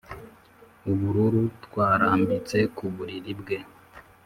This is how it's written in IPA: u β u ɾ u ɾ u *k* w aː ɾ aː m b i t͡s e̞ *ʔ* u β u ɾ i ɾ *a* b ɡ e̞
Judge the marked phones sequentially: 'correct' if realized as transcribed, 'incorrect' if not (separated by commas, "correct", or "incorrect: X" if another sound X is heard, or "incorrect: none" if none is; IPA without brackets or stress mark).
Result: incorrect: t, incorrect: k, incorrect: i